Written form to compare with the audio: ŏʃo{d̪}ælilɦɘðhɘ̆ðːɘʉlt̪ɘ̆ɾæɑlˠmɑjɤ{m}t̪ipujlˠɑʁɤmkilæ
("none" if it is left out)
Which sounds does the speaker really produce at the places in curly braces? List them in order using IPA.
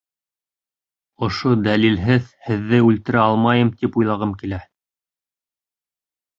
d̪, m

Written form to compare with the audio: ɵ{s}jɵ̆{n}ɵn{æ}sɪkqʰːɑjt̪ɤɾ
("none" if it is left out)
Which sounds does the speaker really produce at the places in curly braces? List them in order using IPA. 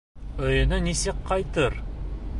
none, n, i

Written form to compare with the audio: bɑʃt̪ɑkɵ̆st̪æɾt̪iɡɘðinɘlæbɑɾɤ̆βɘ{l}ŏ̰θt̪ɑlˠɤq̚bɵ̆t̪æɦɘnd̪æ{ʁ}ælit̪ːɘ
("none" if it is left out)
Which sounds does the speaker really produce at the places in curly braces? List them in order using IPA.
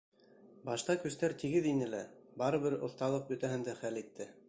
ɾ, χ

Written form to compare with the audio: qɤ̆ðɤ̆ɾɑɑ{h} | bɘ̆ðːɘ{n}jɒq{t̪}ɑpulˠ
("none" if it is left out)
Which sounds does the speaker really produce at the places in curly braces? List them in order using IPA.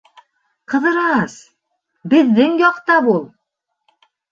s, ŋ, t̪

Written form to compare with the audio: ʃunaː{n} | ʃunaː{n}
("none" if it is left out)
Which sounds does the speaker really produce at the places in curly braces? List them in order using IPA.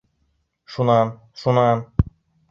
n, n

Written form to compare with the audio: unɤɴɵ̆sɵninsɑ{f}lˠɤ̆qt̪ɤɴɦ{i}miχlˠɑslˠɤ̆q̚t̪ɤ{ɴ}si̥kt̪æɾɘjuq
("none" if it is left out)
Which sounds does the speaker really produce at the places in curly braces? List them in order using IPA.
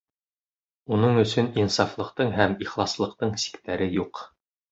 f, æ, ɴ

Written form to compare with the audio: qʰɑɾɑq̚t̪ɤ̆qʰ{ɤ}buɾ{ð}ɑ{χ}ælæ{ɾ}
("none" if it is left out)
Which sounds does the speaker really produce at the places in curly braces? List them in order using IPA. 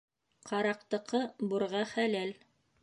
ɤ, ʁ, χ, l

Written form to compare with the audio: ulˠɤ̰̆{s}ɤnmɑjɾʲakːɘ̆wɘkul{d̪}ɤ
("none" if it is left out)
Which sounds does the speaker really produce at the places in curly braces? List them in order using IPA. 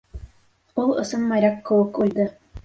s, d̪

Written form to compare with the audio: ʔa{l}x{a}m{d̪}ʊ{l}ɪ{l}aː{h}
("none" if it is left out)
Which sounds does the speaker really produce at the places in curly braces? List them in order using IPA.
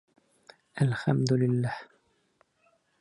l, a, d̪, l, lː, h

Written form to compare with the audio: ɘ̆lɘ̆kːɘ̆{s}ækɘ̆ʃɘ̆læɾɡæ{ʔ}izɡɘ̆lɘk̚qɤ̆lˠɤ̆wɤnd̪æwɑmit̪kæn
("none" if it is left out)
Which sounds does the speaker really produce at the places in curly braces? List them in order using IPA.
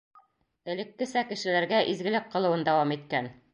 s, ʔ

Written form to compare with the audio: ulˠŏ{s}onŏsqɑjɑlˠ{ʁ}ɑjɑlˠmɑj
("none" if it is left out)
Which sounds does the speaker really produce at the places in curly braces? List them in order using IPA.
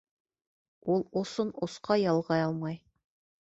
s, ʁ

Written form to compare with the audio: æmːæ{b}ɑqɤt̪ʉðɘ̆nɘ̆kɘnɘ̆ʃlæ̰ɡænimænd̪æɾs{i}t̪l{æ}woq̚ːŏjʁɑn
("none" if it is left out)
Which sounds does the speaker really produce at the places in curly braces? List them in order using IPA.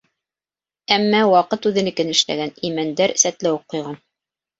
w, æ, æ

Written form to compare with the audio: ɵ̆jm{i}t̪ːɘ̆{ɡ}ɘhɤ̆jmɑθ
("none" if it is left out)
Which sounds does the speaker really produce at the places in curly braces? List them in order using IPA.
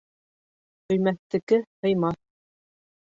æ, k

